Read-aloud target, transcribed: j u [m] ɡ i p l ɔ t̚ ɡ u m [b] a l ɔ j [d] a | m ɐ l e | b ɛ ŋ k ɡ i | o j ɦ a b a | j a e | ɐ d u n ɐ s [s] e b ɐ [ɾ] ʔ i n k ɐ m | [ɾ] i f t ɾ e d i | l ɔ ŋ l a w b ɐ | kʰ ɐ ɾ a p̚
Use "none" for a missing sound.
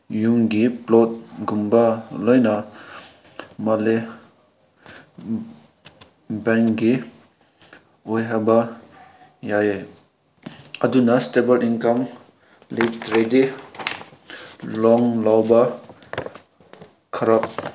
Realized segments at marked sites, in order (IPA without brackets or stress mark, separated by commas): ŋ, b, n, t, l, l